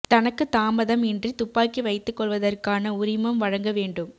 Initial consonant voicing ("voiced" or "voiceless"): voiceless